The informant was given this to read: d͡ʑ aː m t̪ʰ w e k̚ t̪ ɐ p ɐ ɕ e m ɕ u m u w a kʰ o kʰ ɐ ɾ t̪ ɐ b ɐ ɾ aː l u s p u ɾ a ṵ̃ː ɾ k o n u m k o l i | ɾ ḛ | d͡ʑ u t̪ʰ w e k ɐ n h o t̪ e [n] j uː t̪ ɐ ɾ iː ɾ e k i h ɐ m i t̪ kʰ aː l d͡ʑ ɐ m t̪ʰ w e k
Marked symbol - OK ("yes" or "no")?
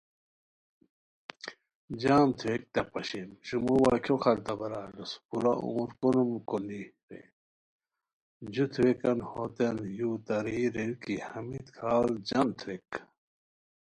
yes